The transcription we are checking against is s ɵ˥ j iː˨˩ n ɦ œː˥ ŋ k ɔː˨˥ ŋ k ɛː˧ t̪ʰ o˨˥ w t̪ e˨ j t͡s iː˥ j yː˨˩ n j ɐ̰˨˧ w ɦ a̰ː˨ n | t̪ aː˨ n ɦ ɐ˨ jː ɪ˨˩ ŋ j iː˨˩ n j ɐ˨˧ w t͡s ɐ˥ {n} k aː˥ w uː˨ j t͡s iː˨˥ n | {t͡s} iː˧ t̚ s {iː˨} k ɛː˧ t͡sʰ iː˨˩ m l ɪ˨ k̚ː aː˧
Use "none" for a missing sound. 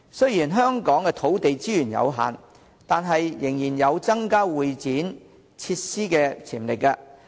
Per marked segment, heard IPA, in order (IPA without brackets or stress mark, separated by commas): ŋ, t͡sʰ, iː˥